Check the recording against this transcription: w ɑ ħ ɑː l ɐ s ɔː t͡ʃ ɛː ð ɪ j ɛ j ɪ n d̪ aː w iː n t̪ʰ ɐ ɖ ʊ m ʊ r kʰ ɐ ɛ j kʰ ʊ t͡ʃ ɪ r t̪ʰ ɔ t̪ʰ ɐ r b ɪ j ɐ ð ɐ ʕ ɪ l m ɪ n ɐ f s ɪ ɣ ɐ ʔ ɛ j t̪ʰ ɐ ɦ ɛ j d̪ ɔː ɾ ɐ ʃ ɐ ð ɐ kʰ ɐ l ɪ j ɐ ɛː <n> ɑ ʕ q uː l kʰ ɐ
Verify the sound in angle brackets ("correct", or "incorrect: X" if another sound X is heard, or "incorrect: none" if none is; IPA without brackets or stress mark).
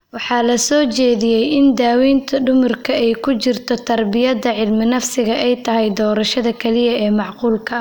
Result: incorrect: m